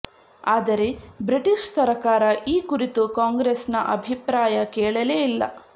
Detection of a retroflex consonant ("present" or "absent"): present